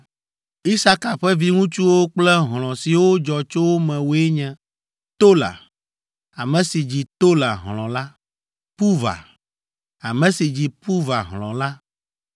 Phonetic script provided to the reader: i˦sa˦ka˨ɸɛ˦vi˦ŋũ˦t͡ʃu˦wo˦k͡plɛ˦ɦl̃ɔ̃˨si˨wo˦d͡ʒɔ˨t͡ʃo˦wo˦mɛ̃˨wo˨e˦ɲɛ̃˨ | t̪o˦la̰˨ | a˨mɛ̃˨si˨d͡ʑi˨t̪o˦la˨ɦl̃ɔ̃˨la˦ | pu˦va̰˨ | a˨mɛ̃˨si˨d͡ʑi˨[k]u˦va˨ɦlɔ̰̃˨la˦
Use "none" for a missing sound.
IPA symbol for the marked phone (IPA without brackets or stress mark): p